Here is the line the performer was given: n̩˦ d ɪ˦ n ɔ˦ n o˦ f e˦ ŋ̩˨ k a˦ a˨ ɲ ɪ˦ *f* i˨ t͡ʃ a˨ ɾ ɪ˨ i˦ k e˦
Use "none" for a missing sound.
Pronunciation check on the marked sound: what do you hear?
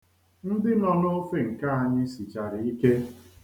s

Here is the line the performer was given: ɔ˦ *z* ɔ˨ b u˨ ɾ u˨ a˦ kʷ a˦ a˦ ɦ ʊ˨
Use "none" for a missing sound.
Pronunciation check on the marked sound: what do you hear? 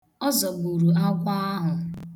z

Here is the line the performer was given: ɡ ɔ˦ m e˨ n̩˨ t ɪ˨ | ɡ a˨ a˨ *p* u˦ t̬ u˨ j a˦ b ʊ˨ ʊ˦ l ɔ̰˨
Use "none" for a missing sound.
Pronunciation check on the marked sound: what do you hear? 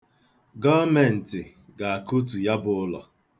k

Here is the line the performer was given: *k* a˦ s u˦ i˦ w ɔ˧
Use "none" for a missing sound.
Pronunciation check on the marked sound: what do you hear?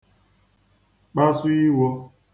k͡p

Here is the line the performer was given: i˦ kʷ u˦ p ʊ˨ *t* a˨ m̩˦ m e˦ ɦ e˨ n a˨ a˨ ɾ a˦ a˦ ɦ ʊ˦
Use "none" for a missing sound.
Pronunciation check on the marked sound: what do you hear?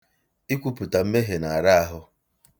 t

